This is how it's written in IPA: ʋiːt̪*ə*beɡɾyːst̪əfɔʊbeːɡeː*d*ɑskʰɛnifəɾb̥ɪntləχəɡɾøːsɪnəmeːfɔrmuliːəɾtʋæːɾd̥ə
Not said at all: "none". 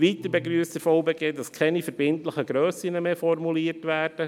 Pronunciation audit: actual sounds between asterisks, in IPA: ə, d

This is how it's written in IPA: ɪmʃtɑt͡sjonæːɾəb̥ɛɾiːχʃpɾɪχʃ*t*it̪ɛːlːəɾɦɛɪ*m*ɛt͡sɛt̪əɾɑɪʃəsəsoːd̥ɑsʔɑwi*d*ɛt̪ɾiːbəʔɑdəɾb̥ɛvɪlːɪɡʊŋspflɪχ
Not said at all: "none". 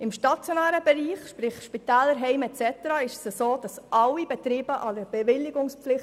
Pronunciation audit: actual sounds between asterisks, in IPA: p, m, b

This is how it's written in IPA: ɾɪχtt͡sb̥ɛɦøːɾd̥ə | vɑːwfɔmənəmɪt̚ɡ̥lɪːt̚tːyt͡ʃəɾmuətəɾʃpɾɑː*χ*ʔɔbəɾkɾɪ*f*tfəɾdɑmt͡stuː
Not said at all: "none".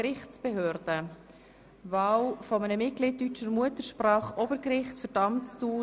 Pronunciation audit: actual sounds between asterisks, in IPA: χ, χ

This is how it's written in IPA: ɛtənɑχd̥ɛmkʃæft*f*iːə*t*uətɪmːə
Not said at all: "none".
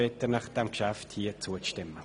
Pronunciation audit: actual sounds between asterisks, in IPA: h, t͡s

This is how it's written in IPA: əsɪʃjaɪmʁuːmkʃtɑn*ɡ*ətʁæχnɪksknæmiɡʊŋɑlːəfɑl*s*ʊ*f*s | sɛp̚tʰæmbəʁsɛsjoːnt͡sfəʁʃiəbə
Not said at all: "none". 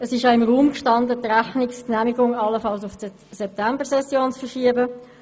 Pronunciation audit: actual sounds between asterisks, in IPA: d, s, f

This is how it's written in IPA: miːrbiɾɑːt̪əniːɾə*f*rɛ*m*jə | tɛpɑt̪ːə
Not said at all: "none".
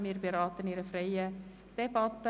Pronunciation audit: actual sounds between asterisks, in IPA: f, none

